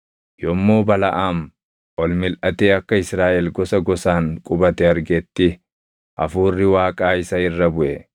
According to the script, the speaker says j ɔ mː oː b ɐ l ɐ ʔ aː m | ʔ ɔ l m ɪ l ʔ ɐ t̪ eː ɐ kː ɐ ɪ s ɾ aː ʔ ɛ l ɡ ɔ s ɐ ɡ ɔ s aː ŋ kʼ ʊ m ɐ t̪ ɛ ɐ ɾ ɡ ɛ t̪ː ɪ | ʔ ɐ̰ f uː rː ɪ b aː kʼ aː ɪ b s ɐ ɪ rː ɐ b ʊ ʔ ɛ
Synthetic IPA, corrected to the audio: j ɔ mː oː b ɐ l ɐ ʔ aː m | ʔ ɔ l m ɪ l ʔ ɐ t̪ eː ɐ kː ɐ ɪ s ɾ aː ʔ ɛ l ɡ ɔ s ɐ ɡ ɔ s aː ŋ kʼ ʊ b ɐ t̪ ɛ ɐ ɾ ɡ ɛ t̪ː ɪ | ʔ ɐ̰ f uː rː ɪ w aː kʼ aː ɪ s ɐ ɪ rː ɐ b ʊ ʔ ɛ